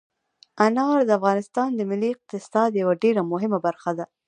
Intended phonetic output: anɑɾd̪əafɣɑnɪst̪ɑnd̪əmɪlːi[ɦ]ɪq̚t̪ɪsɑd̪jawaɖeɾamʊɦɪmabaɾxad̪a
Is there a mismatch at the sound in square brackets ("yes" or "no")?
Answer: yes